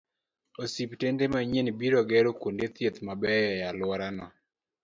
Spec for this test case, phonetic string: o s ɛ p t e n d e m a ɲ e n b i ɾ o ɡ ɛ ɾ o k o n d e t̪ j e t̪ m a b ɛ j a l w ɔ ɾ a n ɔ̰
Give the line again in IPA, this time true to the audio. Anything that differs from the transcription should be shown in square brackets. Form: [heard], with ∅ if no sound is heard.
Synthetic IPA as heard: o s [i] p t e n d e m a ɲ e n b i ɾ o ɡ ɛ ɾ o k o n d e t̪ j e t̪ m a b ɛ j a l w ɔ ɾ a n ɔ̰